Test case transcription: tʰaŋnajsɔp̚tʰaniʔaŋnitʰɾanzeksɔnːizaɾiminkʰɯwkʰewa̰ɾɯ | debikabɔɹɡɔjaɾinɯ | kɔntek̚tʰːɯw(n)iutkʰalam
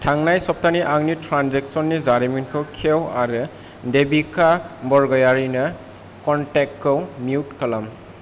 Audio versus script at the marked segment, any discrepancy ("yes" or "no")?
yes